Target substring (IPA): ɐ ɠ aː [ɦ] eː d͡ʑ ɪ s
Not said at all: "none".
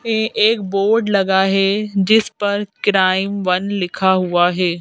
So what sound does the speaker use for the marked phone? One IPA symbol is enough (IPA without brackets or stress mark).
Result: ɦ